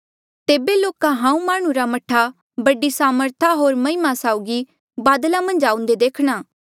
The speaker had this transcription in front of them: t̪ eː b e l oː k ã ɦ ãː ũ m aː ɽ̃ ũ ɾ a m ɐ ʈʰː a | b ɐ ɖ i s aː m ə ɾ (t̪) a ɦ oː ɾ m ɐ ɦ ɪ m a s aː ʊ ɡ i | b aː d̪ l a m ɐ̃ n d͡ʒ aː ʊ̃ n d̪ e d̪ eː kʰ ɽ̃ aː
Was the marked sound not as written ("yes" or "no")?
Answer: yes